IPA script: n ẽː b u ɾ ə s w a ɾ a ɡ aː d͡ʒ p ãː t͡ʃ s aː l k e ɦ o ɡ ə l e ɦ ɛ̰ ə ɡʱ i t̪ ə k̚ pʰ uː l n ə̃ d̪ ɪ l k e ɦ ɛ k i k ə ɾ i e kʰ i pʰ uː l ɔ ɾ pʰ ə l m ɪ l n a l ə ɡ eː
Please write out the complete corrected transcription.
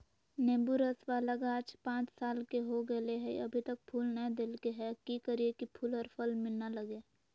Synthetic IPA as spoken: n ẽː b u ɾ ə s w a l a ɡ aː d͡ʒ p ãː t͡ʃ s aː l k e ɦ o ɡ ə l e ɦ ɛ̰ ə bʱ i t̪ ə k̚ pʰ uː l n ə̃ d̪ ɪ l k e ɦ ɛ k i k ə ɾ i e k i pʰ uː l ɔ ɾ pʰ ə l m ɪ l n a l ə ɡ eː